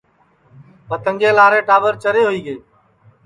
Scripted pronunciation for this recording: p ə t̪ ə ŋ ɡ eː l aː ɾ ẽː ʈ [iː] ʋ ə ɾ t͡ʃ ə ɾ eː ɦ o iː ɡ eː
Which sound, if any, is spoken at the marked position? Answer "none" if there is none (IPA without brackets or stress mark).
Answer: aː